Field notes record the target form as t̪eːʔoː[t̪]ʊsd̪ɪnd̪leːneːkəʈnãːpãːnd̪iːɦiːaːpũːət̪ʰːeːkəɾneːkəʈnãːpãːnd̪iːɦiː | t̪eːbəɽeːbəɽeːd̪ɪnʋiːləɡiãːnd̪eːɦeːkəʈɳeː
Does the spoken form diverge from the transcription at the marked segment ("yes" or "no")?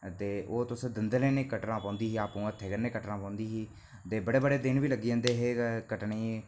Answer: no